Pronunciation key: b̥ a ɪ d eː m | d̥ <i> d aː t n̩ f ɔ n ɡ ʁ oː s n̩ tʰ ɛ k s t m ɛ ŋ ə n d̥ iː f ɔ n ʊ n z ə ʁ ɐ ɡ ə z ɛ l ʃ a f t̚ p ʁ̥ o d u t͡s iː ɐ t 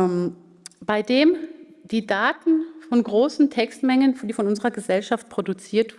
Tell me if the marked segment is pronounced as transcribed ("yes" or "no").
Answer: no